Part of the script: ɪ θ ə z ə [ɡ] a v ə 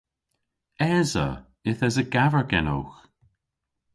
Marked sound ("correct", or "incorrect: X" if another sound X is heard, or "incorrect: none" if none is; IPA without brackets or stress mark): correct